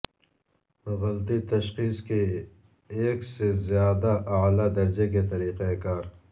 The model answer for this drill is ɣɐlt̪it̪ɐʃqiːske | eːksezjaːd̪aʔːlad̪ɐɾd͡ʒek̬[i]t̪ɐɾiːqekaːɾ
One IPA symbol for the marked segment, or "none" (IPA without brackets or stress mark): e